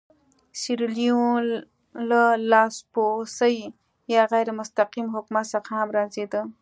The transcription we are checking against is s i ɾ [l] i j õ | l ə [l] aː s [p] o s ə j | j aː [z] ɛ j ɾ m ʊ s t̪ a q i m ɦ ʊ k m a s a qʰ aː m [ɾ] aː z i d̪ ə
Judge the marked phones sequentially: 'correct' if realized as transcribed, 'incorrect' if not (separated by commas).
correct, correct, correct, incorrect, correct